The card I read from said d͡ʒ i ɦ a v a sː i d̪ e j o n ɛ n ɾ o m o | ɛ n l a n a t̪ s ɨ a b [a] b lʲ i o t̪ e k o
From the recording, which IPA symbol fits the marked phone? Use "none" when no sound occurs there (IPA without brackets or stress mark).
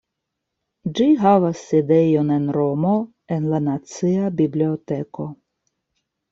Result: i